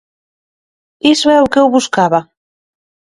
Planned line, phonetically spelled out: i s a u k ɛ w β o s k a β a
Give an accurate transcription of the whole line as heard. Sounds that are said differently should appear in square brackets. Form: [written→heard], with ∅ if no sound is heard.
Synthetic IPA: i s [a→ɛ] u k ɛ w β [o→u] s k a β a